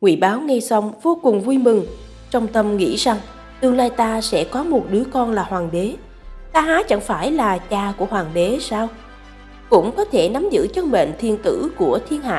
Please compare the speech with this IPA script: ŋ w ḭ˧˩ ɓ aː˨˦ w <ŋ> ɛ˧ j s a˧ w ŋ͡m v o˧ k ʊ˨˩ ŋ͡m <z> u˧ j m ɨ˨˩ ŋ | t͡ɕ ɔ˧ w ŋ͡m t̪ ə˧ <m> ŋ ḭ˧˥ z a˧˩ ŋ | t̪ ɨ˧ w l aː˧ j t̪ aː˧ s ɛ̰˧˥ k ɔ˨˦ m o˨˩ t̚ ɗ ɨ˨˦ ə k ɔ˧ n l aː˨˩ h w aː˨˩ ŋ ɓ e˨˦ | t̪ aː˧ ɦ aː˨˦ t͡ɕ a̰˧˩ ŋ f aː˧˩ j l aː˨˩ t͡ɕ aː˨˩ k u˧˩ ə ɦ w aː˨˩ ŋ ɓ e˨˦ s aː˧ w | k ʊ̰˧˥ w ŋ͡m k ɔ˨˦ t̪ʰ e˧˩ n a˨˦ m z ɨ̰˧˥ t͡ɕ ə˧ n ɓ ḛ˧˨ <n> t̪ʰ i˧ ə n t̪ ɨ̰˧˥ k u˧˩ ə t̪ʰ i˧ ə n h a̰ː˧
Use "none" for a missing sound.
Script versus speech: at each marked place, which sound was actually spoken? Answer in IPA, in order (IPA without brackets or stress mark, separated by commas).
ŋ, v, m, n